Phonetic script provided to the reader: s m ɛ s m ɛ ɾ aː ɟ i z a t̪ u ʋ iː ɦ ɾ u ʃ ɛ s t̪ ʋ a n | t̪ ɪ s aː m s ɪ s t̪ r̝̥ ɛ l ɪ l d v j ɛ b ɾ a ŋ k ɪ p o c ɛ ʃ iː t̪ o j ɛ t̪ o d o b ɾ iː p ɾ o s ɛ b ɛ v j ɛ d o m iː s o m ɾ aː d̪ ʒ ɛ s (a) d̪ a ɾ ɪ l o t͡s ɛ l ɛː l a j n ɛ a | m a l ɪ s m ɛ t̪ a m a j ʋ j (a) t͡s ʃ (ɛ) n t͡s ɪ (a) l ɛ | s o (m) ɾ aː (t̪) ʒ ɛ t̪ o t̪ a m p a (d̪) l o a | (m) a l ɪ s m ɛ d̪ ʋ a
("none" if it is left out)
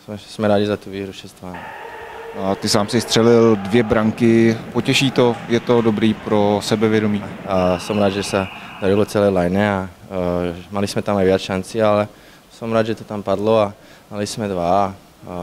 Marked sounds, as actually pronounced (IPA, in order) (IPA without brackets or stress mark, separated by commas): a, a, a, a, m, d̪, d̪, m